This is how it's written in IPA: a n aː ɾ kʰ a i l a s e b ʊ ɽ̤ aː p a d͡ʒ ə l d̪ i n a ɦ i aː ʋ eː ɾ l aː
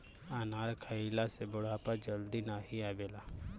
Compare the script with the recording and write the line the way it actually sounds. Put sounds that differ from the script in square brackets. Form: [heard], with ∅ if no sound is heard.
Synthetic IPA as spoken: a n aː ɾ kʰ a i l a s e b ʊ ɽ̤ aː p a d͡ʒ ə l d̪ i n a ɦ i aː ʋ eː [∅] l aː